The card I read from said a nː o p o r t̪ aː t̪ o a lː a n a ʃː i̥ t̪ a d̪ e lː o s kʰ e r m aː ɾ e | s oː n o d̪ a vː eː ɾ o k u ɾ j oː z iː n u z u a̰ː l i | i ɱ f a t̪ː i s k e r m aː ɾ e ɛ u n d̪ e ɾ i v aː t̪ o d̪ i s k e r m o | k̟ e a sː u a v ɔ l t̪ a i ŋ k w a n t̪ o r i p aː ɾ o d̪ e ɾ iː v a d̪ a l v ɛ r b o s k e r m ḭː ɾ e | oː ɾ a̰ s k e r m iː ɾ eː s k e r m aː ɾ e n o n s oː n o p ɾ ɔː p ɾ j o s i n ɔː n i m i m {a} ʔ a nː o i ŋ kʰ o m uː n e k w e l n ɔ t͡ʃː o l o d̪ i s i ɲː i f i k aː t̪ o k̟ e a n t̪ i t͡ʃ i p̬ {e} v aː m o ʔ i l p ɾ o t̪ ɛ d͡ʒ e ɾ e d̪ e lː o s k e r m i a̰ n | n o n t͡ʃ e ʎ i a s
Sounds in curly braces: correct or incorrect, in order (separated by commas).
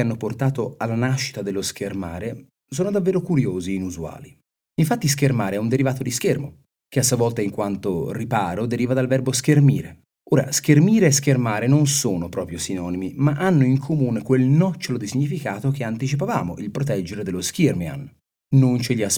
correct, incorrect